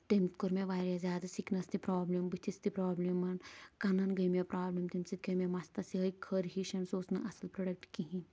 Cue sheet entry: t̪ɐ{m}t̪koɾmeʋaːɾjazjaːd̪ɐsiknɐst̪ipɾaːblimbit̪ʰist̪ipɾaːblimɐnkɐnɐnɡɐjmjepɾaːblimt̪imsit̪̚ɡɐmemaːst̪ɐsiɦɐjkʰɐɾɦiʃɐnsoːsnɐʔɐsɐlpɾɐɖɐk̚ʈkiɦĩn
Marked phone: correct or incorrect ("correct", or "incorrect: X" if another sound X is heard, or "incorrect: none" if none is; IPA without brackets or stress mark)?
correct